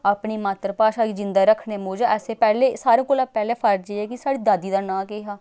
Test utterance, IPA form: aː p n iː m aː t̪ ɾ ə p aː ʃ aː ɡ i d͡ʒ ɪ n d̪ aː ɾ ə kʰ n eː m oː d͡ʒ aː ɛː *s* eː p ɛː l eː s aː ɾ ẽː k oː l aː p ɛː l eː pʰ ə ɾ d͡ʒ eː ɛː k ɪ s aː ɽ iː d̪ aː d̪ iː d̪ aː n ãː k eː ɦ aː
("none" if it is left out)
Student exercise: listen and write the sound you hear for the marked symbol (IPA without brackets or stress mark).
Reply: s